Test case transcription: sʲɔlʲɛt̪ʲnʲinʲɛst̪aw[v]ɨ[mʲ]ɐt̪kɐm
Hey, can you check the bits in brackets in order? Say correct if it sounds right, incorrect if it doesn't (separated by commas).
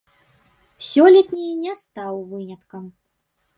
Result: correct, incorrect